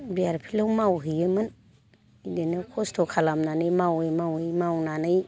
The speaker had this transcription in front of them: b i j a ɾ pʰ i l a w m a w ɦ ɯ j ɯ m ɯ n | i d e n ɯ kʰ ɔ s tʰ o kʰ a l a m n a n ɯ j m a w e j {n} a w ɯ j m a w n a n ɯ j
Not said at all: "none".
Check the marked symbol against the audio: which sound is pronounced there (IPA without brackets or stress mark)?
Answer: m